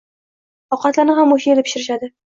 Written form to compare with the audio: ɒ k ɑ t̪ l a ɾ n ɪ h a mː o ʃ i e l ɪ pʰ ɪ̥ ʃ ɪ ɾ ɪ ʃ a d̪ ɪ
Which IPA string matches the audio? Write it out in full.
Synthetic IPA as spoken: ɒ q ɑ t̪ l a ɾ n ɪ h a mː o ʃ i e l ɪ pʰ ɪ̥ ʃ ɪ ɾ ɪ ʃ a d̪ ɪ